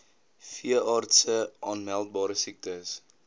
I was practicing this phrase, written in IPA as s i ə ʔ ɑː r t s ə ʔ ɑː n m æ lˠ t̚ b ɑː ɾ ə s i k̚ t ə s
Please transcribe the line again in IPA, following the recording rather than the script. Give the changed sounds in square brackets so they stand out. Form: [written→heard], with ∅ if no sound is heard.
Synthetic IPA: [s→f] i ə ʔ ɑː r t s ə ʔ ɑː n m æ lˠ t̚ b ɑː ɾ ə s i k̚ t ə s